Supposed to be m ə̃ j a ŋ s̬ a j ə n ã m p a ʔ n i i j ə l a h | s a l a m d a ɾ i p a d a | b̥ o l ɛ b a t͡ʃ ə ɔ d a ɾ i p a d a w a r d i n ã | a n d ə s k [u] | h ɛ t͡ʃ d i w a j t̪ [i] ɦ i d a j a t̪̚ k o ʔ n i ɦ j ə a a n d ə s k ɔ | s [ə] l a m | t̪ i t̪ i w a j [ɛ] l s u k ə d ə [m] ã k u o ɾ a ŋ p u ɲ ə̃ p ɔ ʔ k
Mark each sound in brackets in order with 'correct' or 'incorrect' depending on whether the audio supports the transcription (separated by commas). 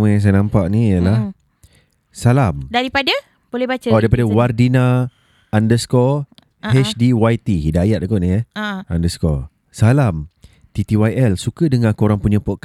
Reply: incorrect, correct, incorrect, correct, incorrect